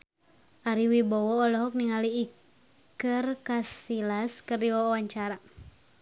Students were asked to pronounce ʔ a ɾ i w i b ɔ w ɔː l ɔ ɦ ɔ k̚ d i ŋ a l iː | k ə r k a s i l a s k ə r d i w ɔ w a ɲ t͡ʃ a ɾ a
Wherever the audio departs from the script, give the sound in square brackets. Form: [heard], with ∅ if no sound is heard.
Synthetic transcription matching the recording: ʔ a ɾ i w i b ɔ w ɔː l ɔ ɦ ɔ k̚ [n] i ŋ a l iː | k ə r k a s i l a s k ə r d i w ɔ w a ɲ t͡ʃ a ɾ a

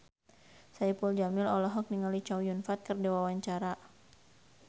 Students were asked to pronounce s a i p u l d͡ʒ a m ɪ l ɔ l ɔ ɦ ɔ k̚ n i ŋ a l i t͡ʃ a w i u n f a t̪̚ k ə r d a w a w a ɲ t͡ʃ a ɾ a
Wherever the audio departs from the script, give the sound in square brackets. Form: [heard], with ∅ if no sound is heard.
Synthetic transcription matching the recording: s a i p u l d͡ʒ a m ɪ l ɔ l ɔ ɦ ɔ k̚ n i ŋ a l i t͡ʃ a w [j] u n f a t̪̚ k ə r d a w a w a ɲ t͡ʃ a ɾ a

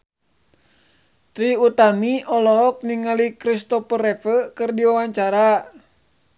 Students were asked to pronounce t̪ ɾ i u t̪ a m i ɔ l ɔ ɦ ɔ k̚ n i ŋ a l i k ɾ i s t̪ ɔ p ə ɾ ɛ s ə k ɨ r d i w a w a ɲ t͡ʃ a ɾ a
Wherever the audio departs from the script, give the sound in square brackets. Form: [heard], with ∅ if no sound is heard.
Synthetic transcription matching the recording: t̪ ɾ i u t̪ a m i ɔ l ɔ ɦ ɔ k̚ n i ŋ a l i k ɾ i s t̪ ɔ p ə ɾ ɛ [f] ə k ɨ r d i w a w a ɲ t͡ʃ a ɾ a

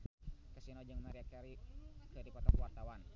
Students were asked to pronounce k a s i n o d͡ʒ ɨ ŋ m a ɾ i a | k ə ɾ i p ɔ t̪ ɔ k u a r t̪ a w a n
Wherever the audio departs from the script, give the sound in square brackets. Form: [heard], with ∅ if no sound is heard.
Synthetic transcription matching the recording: k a s i n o d͡ʒ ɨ ŋ m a ɾ i a | k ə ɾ i p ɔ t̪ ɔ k [w] a r t̪ a w a n

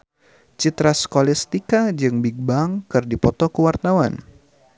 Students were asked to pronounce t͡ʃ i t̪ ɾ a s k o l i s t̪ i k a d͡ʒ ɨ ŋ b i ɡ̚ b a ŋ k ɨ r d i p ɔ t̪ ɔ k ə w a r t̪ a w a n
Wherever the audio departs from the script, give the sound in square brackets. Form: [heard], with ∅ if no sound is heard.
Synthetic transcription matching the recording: t͡ʃ i t̪ ɾ a s k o l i s t̪ i k a d͡ʒ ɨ ŋ b i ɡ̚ b a ŋ k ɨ r d i p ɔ t̪ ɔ k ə w a r t̪ a w a n

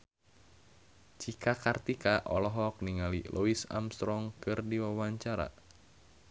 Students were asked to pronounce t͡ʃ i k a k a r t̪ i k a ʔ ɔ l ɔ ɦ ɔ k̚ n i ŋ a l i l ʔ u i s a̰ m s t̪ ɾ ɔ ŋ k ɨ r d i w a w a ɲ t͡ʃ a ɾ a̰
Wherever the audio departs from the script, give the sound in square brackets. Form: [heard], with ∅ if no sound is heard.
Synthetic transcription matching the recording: t͡ʃ i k a k a r t̪ i k a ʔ ɔ l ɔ ɦ ɔ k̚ n i ŋ a l i l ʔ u i s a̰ m s t̪ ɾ ɔ ŋ k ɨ r d i w a w a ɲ t͡ʃ a ɾ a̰

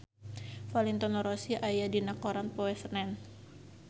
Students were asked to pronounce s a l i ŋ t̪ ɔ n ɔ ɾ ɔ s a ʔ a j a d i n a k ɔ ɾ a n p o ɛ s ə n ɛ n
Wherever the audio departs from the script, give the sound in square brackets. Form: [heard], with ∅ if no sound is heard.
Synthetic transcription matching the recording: [f] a l i [n] t̪ ɔ n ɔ ɾ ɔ s [i] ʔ a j a d i n a k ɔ ɾ a n p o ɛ s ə n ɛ n

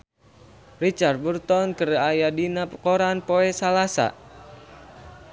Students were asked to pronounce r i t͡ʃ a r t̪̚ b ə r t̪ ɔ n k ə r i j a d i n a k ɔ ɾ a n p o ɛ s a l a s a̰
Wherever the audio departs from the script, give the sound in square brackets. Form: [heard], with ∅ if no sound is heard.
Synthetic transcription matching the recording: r i t͡ʃ a r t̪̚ b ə r t̪ ɔ n k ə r [a] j a d i n a k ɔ ɾ a n p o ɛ s a l a s a̰

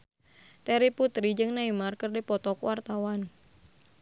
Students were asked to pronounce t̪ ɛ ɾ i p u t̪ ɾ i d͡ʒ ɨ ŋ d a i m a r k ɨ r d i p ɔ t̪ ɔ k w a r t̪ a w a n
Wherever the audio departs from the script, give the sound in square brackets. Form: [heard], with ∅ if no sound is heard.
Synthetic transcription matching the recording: t̪ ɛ ɾ i p u t̪ ɾ i d͡ʒ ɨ ŋ [n] a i m a r k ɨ r d i p ɔ t̪ ɔ k w a r t̪ a w a n

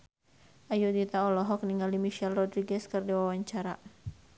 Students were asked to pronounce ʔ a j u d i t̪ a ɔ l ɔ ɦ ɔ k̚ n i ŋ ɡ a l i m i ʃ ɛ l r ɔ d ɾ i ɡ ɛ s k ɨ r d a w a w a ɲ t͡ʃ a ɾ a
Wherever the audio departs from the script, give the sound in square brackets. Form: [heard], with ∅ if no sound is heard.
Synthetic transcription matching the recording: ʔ a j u d i t̪ a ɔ l ɔ ɦ ɔ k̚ n i ŋ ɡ a l i m i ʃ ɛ l r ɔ d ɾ i ɡ ɛ s k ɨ r d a w a w a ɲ t͡ʃ a ɾ a

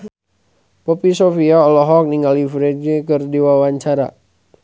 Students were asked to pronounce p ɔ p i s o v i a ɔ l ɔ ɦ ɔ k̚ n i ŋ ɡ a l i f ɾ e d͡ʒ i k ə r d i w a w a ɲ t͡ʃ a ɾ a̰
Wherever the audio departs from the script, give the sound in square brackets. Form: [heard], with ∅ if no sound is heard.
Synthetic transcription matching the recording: p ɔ p i s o [f] i a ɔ l ɔ ɦ ɔ k̚ n i ŋ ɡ a l i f ɾ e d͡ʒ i k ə r d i w a w a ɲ t͡ʃ a ɾ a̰

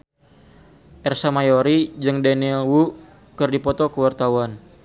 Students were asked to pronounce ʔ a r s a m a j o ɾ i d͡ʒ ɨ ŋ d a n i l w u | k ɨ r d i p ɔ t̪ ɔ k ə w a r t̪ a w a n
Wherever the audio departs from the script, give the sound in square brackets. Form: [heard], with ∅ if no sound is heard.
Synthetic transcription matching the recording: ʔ [ɛ] r s a m a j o ɾ i d͡ʒ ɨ ŋ d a n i l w u | k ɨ r d i p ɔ t̪ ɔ k ə w a r t̪ a w a n

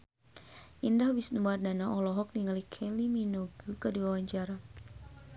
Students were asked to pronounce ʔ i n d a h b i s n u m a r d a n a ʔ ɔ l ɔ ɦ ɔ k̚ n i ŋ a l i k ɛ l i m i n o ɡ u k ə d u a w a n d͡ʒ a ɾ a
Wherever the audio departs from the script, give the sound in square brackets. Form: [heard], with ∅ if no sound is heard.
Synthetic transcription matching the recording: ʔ i n d a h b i s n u m a r d a n a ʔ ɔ l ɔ ɦ ɔ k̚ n i ŋ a l i [kʰ] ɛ l i m i n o ɡ u k ə d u a w a [ɲ] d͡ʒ a ɾ a

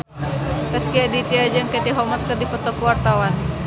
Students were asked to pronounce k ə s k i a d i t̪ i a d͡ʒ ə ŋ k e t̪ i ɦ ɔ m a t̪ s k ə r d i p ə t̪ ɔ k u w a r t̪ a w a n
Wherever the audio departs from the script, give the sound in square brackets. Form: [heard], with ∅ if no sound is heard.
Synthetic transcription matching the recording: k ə s k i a d i t̪ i a d͡ʒ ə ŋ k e t̪ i ɦ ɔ m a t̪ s k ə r d i p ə t̪ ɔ k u w a r t̪ a w a n

